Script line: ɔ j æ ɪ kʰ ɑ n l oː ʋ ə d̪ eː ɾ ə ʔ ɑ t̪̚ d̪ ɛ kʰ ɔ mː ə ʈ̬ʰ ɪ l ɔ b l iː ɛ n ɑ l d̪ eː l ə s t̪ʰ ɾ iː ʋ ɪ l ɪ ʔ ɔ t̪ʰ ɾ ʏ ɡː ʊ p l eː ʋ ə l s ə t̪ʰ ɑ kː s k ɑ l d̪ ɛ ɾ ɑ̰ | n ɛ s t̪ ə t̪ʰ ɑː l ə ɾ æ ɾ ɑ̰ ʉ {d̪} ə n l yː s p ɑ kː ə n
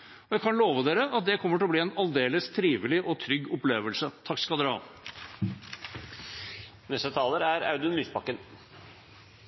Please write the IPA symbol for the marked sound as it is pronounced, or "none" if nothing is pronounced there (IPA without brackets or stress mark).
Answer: d̪